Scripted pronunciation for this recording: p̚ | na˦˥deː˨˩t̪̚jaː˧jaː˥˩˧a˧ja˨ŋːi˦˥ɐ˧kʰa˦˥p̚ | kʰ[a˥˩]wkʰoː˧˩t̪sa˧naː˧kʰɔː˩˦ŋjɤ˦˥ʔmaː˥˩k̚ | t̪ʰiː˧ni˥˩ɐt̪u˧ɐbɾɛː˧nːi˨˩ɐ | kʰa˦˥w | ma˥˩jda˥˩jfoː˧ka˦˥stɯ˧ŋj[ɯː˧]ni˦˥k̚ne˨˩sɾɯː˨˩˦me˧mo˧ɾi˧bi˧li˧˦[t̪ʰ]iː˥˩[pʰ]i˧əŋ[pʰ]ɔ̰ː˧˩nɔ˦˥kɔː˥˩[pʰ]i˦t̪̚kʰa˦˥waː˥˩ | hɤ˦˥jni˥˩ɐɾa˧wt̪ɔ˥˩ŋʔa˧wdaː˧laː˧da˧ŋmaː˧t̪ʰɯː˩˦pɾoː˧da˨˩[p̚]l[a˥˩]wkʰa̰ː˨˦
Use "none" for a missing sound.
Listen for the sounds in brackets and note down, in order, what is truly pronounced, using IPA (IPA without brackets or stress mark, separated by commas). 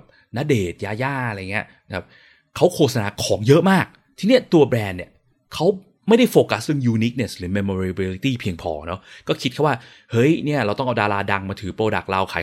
a˦˥, uː˧, t̪, pʰ, pʰ, kʰ, k̚, a˧